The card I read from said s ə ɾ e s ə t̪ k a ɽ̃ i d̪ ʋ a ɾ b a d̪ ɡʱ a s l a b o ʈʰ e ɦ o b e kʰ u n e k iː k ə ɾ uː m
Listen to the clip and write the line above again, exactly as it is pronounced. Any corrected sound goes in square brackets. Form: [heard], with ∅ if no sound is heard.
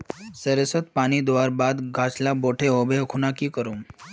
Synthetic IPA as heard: s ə ɾ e s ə t̪ [p] a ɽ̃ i d̪ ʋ a ɾ b a d̪ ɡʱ a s l a b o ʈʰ e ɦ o b e kʰ u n [a] k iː k ə ɾ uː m